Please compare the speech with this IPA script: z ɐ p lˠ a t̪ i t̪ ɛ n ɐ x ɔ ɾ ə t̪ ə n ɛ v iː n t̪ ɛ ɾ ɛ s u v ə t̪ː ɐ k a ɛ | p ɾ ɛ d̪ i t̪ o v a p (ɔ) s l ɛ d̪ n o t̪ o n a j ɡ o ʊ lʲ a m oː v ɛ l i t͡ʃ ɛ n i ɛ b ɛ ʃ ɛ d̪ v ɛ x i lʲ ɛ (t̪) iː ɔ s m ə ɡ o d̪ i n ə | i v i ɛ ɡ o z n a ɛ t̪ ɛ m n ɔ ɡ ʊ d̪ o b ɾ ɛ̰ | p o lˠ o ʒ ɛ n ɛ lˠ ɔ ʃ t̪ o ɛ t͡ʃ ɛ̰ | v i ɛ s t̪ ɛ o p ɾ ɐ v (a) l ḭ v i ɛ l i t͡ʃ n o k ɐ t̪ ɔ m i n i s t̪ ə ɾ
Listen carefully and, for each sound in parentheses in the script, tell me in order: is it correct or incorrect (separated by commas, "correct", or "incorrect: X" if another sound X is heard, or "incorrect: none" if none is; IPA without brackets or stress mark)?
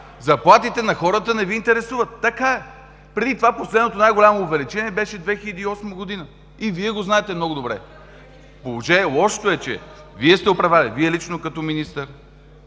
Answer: incorrect: o, incorrect: d̪, correct